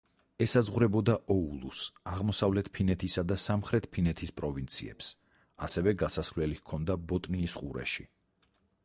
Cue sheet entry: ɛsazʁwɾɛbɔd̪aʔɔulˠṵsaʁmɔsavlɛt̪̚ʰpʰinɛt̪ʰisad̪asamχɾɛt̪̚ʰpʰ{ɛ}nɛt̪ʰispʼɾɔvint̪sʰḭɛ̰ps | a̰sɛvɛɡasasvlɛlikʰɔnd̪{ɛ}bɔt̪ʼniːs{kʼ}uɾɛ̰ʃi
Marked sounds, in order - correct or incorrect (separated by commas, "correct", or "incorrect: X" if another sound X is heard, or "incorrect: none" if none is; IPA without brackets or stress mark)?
incorrect: i, incorrect: a, incorrect: qʼ